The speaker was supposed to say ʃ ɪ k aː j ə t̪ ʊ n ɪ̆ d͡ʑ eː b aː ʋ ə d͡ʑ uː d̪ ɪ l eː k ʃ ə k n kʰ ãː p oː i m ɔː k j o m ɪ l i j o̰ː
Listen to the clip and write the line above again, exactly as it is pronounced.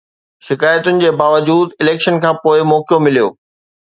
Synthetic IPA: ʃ ɪ k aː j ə t̪ ʊ n ɪ̆ d͡ʑ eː b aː ʋ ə d͡ʑ uː d̪ ɪ l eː k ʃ ə n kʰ ãː p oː ɪ m ɔː k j o m ɪ l i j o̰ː